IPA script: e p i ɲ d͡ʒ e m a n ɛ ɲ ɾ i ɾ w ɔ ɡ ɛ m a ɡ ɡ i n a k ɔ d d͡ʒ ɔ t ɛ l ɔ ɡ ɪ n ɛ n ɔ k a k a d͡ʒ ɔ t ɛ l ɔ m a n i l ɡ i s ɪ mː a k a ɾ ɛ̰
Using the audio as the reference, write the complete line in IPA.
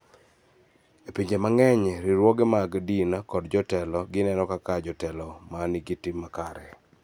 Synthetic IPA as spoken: e p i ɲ d͡ʒ e m a ŋ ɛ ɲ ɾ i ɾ w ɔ ɡ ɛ m a ɡ d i n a k ɔ d d͡ʒ ɔ t ɛ l ɔ ɡ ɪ n ɛ n ɔ k a k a d͡ʒ ɔ t ɛ l ɔ m a n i ɡ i t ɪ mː a k a ɾ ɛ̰